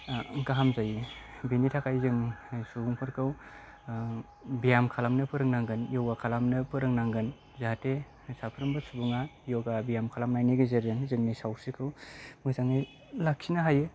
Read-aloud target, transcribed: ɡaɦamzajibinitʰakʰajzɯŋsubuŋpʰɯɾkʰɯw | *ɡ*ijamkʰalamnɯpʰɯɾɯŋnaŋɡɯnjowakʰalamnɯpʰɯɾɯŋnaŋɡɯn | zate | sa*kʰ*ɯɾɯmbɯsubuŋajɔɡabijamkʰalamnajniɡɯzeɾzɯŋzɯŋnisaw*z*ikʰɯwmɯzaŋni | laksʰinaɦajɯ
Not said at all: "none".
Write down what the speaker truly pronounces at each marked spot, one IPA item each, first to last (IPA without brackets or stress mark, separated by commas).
b, pʰ, s